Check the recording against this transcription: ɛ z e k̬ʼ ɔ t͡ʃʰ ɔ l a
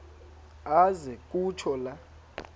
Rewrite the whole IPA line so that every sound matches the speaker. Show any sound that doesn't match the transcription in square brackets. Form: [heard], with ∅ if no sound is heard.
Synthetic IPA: [a] z [ɛ] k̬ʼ [u] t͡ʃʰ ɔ l a